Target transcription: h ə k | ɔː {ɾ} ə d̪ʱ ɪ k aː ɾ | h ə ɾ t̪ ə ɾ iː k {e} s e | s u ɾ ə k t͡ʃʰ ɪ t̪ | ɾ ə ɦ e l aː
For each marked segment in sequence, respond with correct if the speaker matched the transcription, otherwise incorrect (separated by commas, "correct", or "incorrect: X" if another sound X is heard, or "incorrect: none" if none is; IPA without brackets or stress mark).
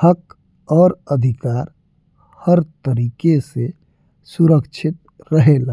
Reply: correct, correct